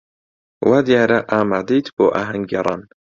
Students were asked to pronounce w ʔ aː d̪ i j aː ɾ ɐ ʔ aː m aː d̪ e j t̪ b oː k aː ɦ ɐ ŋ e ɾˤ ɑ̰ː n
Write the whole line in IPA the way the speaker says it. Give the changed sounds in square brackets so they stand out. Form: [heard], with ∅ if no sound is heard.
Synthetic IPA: w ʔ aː d̪ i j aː ɾ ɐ ʔ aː m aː d̪ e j t̪ b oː [ʔ] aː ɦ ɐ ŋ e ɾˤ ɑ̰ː n